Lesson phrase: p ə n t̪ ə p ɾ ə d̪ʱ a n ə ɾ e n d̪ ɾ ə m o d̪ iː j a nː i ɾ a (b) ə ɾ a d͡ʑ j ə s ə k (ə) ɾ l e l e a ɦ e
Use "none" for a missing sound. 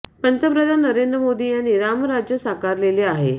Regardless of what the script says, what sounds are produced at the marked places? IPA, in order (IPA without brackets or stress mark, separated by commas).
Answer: m, a